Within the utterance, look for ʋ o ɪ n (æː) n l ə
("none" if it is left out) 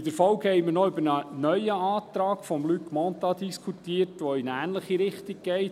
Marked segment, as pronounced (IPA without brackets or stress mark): æː